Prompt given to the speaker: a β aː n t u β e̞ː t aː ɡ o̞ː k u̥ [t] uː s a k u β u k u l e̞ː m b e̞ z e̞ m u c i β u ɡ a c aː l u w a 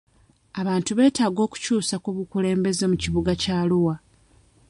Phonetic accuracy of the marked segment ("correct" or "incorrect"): incorrect